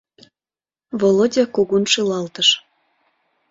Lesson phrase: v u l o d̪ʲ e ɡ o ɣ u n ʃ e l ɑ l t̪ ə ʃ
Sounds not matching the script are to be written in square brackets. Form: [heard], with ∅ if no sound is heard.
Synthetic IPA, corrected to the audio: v [o] l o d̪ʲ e [k] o ɣ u n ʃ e l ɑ l t̪ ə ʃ